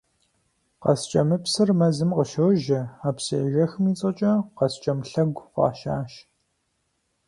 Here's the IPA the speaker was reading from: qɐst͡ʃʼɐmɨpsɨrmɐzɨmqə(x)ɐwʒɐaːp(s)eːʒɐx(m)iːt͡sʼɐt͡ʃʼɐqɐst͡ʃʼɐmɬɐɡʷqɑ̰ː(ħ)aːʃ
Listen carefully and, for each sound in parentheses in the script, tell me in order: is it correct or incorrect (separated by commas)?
incorrect, correct, correct, incorrect